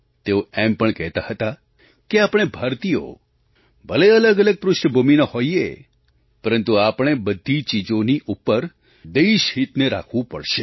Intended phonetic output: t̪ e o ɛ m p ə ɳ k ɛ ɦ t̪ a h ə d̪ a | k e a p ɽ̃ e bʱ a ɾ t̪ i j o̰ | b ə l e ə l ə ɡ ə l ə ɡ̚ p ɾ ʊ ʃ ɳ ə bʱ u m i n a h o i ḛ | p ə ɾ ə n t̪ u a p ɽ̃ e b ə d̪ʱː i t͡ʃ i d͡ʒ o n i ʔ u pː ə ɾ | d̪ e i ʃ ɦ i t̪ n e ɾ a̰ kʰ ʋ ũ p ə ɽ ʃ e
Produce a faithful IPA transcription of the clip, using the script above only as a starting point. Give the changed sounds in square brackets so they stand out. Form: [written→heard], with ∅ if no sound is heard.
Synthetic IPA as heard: t̪ e o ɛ m p ə ɳ k ɛ ɦ t̪ a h ə [d̪→t̪] a | k e a p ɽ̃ e bʱ a ɾ t̪ i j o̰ | b ə l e ə l ə ɡ ə l ə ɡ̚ p ɾ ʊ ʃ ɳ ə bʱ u m i n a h o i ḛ | p ə ɾ ə n t̪ u a p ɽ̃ e b ə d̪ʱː i t͡ʃ i d͡ʒ o n i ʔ u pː ə ɾ | d̪ e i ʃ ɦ i t̪ n e ɾ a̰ kʰ ʋ ũ p ə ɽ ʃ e